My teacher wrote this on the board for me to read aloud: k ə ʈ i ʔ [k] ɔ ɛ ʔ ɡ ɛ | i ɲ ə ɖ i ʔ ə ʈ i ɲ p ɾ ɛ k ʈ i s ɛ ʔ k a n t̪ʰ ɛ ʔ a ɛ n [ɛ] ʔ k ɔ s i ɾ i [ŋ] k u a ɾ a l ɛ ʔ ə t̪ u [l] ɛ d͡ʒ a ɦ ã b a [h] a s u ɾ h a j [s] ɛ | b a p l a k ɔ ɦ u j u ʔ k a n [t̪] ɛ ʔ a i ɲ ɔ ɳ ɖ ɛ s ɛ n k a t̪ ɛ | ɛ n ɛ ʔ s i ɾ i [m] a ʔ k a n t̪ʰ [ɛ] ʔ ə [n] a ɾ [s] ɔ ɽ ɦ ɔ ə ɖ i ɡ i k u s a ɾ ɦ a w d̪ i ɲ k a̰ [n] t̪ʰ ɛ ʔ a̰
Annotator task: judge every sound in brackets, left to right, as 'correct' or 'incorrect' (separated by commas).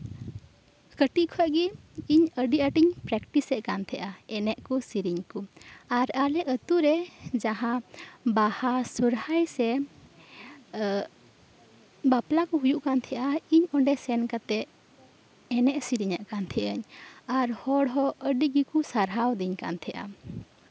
incorrect, correct, incorrect, incorrect, correct, correct, incorrect, incorrect, correct, incorrect, incorrect, correct